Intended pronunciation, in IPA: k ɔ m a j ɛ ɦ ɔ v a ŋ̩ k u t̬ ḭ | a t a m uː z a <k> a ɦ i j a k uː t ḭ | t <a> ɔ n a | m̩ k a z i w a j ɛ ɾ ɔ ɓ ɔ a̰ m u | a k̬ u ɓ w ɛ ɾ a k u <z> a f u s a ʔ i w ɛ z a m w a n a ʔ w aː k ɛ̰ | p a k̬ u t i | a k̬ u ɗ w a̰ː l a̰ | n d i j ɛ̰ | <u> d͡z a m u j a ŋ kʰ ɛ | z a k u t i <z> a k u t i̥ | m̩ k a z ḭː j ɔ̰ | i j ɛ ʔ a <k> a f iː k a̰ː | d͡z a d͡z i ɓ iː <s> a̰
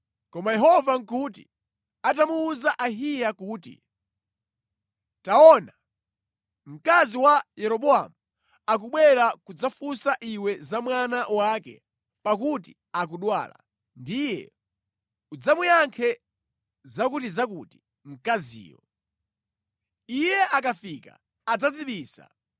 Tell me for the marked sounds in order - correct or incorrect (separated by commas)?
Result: incorrect, correct, incorrect, correct, correct, correct, correct